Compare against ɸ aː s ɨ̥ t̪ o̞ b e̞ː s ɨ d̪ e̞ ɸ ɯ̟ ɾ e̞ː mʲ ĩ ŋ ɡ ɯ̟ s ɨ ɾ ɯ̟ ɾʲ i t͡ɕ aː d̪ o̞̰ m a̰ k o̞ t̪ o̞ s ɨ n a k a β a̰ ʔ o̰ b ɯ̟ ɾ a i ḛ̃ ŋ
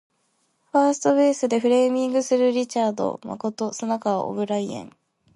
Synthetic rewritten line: ɸ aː s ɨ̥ t̪ o̞ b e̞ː s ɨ d̪ e̞ ɸ ɯ̟ ɾ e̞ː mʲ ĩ ŋ ɡ ɯ̟ s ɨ ɾ ɯ̟ ɾʲ i t͡ɕ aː d̪ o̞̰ m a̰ k o̞ t̪ o̞ s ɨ n a k a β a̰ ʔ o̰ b ɯ̟ ɾ a i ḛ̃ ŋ